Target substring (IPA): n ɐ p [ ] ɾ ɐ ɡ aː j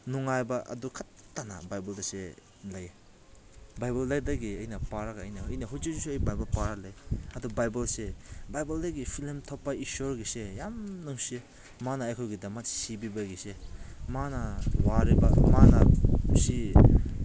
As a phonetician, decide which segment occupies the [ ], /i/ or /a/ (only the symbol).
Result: a